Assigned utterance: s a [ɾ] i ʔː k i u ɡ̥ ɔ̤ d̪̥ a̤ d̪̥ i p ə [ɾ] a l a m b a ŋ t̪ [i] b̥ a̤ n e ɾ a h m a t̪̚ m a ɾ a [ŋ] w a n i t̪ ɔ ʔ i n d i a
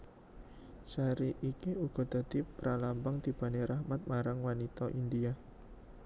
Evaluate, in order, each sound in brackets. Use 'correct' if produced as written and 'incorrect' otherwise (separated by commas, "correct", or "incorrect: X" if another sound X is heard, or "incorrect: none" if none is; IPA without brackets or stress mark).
correct, correct, correct, correct